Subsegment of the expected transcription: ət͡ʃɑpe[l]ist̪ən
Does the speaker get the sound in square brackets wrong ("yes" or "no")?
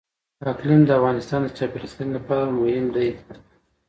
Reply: yes